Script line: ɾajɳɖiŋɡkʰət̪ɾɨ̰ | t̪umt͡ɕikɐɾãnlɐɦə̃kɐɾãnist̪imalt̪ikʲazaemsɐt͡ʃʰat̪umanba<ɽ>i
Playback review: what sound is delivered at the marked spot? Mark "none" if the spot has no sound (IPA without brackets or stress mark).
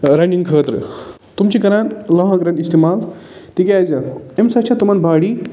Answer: ɽ